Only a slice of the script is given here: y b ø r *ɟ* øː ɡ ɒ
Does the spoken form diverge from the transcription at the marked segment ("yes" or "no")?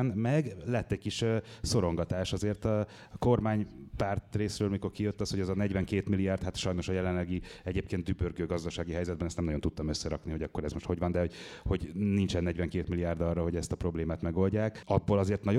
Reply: yes